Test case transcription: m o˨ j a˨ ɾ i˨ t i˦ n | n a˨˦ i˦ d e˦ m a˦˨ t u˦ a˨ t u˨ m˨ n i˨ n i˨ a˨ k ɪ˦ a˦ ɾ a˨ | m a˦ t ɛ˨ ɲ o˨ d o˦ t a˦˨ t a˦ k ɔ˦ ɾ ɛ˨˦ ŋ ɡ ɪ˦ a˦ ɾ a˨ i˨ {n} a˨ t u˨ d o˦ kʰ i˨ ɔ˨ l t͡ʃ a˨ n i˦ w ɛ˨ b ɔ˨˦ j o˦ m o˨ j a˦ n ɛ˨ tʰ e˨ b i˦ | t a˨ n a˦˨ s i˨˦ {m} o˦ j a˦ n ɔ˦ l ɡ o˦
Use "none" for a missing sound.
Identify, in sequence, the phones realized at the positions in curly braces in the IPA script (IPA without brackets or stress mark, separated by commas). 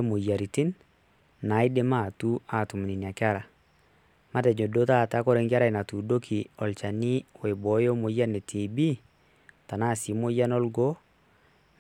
n, m